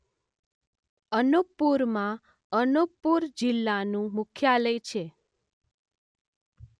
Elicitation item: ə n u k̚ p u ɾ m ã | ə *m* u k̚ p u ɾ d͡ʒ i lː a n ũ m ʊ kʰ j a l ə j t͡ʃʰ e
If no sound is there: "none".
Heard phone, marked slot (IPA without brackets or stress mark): n